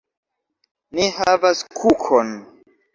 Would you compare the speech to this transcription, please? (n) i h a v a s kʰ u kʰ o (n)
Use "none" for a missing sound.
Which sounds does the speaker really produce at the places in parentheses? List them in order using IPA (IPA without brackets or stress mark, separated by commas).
n, n